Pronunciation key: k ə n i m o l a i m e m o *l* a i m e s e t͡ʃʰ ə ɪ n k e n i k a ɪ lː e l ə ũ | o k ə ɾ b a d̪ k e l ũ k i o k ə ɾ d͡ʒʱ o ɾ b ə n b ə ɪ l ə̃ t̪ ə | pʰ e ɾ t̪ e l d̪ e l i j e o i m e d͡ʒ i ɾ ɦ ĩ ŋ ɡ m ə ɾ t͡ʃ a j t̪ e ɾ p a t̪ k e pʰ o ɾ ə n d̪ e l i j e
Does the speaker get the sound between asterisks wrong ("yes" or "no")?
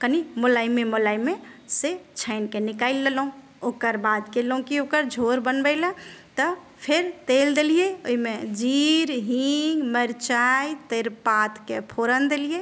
no